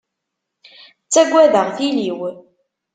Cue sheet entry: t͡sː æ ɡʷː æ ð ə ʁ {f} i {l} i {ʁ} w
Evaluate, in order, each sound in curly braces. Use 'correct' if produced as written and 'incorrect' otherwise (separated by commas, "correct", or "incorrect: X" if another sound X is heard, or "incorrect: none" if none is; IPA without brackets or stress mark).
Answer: incorrect: θ, correct, incorrect: none